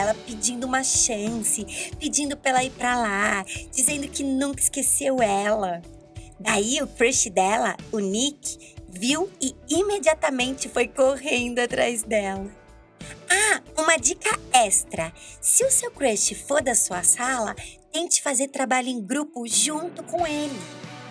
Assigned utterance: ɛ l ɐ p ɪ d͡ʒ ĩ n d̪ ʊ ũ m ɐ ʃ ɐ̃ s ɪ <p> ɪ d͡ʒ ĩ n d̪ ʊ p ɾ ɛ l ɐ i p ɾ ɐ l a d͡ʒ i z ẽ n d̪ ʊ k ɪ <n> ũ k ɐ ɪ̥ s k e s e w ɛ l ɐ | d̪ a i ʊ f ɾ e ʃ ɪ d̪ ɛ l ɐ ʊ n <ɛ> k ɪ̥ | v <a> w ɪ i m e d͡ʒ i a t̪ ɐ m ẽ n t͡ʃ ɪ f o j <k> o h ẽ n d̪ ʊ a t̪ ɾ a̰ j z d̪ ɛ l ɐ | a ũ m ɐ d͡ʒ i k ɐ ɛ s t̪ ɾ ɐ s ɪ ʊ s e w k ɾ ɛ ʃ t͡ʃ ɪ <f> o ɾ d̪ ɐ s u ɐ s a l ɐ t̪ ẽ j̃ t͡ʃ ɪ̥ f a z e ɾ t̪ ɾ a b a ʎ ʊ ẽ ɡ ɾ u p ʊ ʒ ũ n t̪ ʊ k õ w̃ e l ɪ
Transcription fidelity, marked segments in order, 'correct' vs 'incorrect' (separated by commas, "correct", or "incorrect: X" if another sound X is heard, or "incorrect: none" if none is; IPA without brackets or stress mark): correct, correct, incorrect: i, incorrect: i, correct, correct